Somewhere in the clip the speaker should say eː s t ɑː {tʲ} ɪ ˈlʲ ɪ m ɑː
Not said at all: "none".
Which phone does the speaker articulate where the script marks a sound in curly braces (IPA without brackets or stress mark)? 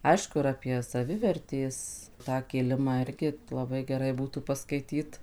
kʲ